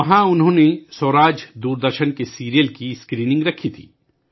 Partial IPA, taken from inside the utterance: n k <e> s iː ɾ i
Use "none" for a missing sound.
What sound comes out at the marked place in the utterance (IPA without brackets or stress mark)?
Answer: e